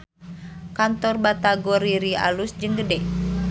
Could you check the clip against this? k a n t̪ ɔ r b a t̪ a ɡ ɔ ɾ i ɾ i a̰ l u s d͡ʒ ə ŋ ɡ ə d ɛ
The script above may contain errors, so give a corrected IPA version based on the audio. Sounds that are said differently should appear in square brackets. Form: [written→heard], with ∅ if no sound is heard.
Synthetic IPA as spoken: k a n t̪ ɔ r b a t̪ a ɡ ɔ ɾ i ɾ i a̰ l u s d͡ʒ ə ŋ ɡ ə d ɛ